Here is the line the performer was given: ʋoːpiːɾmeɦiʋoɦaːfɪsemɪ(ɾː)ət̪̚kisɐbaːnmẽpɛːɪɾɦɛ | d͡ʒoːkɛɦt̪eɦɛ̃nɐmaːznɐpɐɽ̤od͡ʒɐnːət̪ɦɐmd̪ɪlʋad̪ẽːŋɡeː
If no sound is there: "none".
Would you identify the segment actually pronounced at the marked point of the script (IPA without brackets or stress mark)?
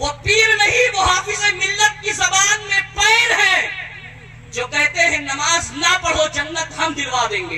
lː